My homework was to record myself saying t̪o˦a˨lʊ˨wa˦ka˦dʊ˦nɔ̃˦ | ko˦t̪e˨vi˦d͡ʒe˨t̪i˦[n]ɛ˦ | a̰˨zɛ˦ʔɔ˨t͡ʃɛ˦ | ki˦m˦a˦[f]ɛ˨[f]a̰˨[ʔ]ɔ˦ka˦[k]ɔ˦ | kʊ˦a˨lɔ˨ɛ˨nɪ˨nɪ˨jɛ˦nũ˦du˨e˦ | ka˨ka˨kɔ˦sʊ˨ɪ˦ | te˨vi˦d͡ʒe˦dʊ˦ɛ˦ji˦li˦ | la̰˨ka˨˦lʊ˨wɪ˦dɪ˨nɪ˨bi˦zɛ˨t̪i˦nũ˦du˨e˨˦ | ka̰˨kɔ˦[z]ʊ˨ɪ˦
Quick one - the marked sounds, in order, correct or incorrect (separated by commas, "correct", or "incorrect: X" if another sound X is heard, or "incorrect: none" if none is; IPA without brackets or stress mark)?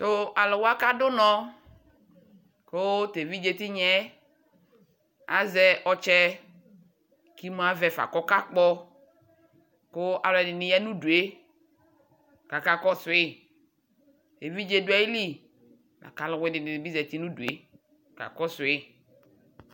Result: incorrect: ɲ, incorrect: v, correct, incorrect: k, incorrect: k͡p, incorrect: s